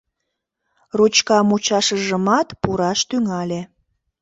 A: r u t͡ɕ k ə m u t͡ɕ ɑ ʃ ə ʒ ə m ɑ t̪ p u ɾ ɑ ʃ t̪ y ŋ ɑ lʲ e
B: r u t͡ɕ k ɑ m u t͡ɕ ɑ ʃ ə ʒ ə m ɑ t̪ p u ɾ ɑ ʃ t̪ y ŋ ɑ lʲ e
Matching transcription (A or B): B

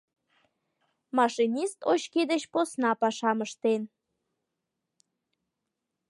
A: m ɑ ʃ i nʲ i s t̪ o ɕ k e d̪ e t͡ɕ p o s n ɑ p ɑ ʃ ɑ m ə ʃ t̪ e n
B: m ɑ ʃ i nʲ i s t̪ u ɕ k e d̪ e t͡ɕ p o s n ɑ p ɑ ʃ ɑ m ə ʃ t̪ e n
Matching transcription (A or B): A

